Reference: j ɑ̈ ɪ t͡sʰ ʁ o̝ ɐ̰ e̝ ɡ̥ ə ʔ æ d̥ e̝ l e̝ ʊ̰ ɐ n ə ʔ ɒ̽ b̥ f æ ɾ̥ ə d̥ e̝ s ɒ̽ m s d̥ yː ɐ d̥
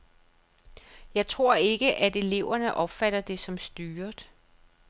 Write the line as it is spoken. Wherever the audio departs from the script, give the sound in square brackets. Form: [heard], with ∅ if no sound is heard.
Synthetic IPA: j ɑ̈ ɪ t͡sʰ ʁ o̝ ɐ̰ e̝ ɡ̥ ə ʔ æ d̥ e̝ l e̝ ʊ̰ ɐ n ə ʔ ɒ̽ b̥ f æ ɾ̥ [ɐ] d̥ e̝ s ɒ̽ m s d̥ yː ɐ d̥